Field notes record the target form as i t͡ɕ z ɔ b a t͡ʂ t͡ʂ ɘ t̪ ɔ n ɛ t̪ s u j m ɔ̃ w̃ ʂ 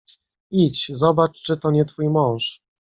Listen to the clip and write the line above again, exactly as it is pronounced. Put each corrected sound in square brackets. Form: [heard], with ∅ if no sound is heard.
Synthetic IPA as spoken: i t͡ɕ z ɔ b a t͡ʂ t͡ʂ ɘ t̪ ɔ [ɲ] ɛ t̪ [f] u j m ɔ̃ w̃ ʂ